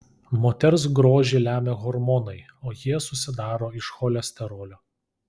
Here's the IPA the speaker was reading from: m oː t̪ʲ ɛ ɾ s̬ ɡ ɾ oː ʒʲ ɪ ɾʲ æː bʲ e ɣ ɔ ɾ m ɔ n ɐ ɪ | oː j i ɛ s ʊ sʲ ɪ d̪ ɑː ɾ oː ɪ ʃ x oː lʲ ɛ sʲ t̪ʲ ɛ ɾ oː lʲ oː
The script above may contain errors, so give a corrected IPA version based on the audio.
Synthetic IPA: m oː t̪ʲ ɛ ɾ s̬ ɡ ɾ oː ʒʲ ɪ lʲ æː mʲ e ɣ ɔ ɾ m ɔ n ɐ ɪ | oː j i ɛ s ʊ sʲ ɪ d̪ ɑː ɾ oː ɪ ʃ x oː lʲ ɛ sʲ t̪ʲ ɛ ɾ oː lʲ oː

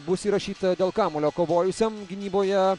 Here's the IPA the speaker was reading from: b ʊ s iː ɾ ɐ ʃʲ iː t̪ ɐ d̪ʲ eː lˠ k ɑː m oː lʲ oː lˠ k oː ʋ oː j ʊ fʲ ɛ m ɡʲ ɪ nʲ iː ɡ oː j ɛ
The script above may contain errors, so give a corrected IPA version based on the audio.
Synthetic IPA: b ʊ s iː ɾ ɐ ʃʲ iː t̪ ɐ d̪ʲ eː lˠ k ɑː m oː lʲ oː k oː ʋ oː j ʊ sʲ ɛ m ɡʲ ɪ nʲ iː b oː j ɛ

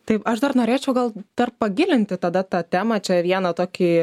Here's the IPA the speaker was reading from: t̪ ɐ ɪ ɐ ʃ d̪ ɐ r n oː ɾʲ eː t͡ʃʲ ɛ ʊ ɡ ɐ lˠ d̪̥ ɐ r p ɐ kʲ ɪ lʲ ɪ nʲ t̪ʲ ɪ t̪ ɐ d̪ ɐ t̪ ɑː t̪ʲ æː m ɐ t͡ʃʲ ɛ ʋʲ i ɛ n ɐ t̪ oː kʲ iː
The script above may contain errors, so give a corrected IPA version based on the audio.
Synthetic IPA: t̪ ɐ ɪ ɐ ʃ d̪ ɐ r n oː ɾʲ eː t͡ʃʲ ɛ ʊ ɡ ɐ lˠ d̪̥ ɐ r p ɐ ɡʲ ɪ lʲ ɪ nʲ t̪ʲ ɪ t̪ ɐ d̪ ɐ t̪ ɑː t̪ʲ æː m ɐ t͡ʃʲ ɛ ʋʲ i ɛ n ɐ t̪ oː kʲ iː

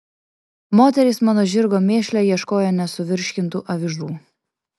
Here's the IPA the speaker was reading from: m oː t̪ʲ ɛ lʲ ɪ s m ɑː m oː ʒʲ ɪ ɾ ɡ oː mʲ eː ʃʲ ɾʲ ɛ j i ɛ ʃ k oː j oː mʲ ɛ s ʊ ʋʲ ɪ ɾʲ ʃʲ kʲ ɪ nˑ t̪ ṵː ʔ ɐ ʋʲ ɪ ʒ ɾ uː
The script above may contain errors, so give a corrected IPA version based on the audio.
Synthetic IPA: m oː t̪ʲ ɛ ɾʲ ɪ s m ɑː n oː ʒʲ ɪ ɾ ɡ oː mʲ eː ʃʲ lʲ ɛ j i ɛ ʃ k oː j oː nʲ ɛ s ʊ ʋʲ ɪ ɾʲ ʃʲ kʲ ɪ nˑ t̪ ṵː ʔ ɐ ʋʲ ɪ ʒ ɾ uː

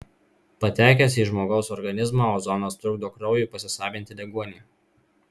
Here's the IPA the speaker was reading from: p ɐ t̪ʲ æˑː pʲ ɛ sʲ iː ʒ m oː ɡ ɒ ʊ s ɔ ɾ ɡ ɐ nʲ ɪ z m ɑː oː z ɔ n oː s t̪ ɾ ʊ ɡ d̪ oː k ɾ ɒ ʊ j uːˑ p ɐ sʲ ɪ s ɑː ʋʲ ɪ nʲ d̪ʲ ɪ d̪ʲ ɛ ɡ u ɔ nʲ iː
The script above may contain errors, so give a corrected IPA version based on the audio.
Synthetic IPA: p ɐ t̪ʲ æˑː kʲ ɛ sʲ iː ʒ m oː ɡ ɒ ʊ s ɔ ɾ ɡ ɐ nʲ ɪ z m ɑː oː z ɔ n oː s t̪ ɾ ʊ ɡ d̪ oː k ɾ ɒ ʊ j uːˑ p ɐ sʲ ɪ s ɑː ʋʲ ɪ nʲ t̪ʲ ɪ d̪ʲ ɛ ɡ u ɔ nʲ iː

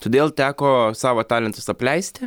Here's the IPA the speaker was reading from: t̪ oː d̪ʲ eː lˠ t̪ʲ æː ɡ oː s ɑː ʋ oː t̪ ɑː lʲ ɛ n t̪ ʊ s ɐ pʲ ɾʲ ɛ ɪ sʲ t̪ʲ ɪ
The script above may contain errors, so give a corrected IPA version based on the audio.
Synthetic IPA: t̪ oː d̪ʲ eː lˠ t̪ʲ æː k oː s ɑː ʋ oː t̪ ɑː lʲ ɛ n t̪ ʊ s ɐ pʲ lʲ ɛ ɪ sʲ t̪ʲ ɪ

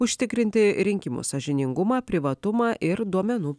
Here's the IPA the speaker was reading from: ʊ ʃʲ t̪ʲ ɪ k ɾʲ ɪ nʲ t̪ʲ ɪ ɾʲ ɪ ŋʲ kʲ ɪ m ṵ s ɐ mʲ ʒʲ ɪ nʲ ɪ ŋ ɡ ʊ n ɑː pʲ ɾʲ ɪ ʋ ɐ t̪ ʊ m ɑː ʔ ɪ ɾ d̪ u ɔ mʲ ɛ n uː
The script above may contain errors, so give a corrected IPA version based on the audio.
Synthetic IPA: ʊ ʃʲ t̪ʲ ɪ k ɾʲ ɪ nʲ t̪ʲ ɪ ɾʲ ɪ ŋʲ kʲ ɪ m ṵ s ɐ ʒʲ ɪ nʲ ɪ ŋ ɡ ʊ m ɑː pʲ ɾʲ ɪ ʋ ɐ t̪ ʊ m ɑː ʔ ɪ ɾ d̪ u ɔ mʲ ɛ n uː

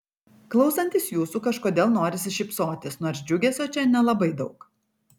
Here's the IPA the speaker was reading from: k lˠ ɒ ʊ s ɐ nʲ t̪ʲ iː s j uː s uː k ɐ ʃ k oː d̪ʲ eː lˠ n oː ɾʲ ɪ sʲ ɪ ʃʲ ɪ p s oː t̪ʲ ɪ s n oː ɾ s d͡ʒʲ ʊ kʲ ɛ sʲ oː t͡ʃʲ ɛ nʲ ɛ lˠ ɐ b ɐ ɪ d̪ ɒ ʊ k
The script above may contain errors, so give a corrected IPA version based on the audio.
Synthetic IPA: k lˠ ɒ ʊ s ɐ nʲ t̪ʲ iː s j uː s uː k ɐ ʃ k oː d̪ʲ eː lˠ n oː ɾʲ ɪ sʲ ɪ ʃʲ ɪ p s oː t̪ʲ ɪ s n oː ɾ s d͡ʒʲ ʊ ɡʲ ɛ sʲ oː t͡ʃʲ ɛ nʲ ɛ lˠ ɐ b ɐ ɪ d̪ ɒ ʊ k

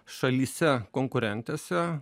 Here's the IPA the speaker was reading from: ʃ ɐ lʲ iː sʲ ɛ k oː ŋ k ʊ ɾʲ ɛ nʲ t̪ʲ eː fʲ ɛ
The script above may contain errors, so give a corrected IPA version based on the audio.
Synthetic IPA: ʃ ɐ lʲ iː sʲ ɛ k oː ŋ k ʊ ɾʲ ɛ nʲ t̪ʲ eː sʲ ɛ

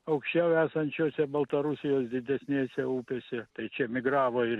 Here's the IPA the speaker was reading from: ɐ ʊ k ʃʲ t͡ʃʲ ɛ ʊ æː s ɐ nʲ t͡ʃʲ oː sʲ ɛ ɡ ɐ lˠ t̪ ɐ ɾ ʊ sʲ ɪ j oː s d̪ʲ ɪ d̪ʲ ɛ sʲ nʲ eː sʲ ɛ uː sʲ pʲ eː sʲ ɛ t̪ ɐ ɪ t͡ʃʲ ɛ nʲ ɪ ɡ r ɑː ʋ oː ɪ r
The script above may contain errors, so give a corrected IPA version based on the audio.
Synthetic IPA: ɐ ʊ k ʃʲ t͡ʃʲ ɛ ʊ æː s ɐ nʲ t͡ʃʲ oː sʲ ɛ b ɐ lˠ t̪ ɐ ɾ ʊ sʲ ɪ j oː s d̪ʲ ɪ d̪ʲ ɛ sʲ nʲ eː sʲ ɛ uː pʲ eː sʲ ɛ t̪ ɐ ɪ t͡ʃʲ ɛ mʲ ɪ ɡ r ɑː ʋ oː ɪ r

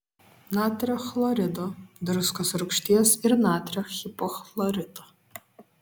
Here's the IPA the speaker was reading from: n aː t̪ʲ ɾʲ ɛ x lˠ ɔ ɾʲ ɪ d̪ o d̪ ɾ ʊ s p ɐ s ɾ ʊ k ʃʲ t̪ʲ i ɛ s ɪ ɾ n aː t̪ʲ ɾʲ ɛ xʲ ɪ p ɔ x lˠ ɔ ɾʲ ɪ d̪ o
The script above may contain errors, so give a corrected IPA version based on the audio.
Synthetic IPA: n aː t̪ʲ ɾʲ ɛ x lˠ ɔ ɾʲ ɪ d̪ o d̪ ɾ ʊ s k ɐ s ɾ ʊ k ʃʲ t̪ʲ i ɛ s ɪ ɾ n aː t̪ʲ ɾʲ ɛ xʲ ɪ p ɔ x lˠ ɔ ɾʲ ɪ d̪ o

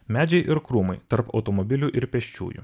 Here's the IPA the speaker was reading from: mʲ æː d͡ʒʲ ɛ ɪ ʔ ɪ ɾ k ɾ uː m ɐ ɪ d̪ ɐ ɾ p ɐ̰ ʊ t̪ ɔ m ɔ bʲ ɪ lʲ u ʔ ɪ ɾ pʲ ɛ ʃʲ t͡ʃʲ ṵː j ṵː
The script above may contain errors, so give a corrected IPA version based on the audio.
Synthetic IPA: mʲ æː d͡ʒʲ ɛ ɪ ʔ ɪ ɾ k ɾ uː m ɐ ɪ t̪ ɐ ɾ p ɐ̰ ʊ t̪ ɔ m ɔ bʲ ɪ lʲ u ʔ ɪ ɾ pʲ ɛ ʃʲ t͡ʃʲ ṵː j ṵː

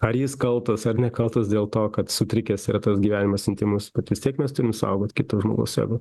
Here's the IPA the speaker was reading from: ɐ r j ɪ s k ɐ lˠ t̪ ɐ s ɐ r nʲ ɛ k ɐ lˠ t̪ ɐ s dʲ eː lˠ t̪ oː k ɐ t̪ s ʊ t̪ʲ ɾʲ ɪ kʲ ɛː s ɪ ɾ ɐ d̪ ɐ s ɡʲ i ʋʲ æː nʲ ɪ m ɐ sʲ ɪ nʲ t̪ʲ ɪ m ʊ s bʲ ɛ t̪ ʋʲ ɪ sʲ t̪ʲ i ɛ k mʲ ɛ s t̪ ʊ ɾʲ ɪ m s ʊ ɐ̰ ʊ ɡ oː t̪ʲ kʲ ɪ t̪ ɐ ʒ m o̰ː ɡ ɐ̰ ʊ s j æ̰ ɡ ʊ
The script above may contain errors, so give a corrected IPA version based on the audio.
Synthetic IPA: ɐ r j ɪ s k ɐ lˠ t̪ ɐ s ɐ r nʲ ɛ k ɐ lˠ t̪ ɐ s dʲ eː lˠ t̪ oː k ɐ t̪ s ʊ t̪ʲ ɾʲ ɪ kʲ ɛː s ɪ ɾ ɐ t̪ ɐ s ɡʲ i ʋʲ æː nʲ ɪ m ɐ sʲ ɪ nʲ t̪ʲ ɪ m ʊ s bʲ ɛ t̪ ʋʲ ɪ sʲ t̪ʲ i ɛ k mʲ ɛ s t̪ ʊ ɾʲ ɪ m s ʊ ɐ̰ ʊ ɡ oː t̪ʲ kʲ ɪ t̪ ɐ ʒ m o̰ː ɡ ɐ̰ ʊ s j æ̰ ɡ ʊ

